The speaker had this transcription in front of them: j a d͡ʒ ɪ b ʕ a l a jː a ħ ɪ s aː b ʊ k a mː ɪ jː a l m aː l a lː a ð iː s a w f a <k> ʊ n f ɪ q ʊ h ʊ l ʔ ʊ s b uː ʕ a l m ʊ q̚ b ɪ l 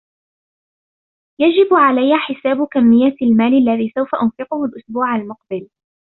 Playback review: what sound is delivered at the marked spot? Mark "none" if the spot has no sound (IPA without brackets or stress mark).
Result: ʔ